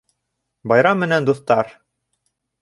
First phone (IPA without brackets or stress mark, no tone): b